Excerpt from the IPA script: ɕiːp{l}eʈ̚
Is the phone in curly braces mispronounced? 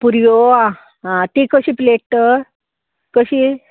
no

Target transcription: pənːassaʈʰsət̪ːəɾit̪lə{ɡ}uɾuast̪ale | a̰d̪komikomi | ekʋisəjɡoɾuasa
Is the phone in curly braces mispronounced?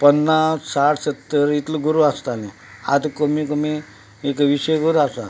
no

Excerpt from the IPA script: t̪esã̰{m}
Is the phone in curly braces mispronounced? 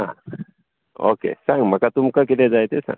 yes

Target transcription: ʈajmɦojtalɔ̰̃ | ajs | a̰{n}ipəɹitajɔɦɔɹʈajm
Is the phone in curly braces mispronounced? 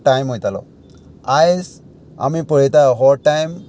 yes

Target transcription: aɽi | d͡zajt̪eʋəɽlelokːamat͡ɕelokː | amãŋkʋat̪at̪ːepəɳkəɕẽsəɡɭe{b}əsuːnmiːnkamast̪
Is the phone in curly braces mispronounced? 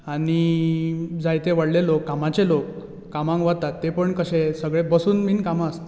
no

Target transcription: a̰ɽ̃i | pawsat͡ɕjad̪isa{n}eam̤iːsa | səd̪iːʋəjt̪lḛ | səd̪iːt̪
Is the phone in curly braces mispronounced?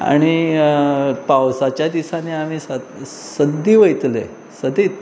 no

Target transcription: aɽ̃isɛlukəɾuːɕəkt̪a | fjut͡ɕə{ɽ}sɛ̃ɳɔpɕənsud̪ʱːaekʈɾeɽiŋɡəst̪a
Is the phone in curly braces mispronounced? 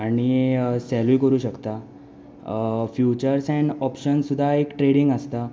yes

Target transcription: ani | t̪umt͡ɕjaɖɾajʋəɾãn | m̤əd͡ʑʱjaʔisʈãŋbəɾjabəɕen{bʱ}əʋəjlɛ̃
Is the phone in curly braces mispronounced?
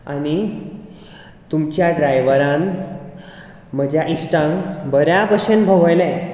no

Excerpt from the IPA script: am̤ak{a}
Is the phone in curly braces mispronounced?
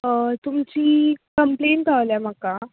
no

